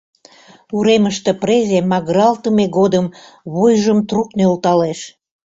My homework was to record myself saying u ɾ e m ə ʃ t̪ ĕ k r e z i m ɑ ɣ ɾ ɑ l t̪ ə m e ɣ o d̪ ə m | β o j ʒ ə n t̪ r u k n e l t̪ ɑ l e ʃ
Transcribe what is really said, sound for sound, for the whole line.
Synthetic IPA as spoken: u ɾ e m ə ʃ t̪ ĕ p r e z e m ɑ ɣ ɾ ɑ l t̪ ə m e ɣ o d̪ ə m | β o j ʒ ə m t̪ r u k n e l t̪ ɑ l e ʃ